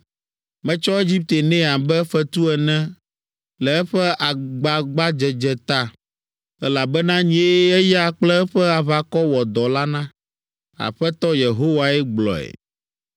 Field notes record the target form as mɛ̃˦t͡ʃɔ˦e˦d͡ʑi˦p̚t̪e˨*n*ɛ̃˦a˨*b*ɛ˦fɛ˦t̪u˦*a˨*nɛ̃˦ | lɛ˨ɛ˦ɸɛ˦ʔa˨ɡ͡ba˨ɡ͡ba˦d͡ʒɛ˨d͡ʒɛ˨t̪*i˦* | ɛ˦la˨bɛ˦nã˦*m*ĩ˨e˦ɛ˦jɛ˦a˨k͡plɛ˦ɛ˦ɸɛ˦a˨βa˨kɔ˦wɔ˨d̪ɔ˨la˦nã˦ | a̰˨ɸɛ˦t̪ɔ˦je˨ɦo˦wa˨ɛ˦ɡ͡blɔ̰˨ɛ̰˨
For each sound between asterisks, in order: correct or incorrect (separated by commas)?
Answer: correct, correct, incorrect, incorrect, incorrect